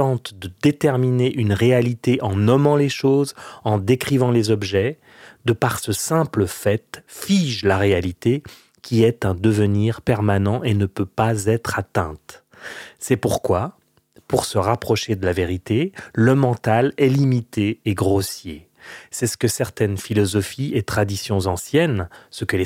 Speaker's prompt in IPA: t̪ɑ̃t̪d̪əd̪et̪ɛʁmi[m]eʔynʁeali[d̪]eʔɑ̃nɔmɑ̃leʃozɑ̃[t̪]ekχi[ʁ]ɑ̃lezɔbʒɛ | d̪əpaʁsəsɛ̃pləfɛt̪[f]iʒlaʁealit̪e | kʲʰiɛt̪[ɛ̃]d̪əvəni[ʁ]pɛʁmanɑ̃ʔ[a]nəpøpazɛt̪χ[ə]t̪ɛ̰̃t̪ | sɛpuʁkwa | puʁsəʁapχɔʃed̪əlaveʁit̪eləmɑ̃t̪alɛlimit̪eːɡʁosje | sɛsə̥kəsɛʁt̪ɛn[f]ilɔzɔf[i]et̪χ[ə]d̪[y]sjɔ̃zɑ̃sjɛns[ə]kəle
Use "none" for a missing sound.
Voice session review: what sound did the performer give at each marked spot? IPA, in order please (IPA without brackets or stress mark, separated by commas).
n, t̪, d̪, v, f, ɛ̃, ʁ, e, a, f, i, a, i, ə